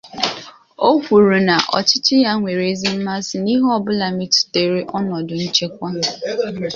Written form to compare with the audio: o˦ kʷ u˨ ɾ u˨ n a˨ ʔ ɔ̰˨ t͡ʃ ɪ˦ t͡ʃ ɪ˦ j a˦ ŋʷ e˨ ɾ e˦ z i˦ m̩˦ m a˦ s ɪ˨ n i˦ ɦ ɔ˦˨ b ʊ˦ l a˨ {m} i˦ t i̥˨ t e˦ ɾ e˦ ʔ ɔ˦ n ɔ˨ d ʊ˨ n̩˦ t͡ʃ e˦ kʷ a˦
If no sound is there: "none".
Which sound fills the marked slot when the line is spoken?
m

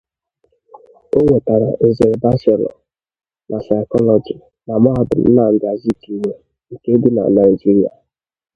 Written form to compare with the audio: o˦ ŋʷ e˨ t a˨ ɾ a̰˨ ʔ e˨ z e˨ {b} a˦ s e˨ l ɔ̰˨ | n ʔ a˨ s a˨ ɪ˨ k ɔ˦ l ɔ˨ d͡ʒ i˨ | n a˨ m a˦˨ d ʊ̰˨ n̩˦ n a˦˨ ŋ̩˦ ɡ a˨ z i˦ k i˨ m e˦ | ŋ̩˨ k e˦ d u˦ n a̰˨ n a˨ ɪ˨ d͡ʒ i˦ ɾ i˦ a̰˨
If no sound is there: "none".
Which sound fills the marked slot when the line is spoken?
b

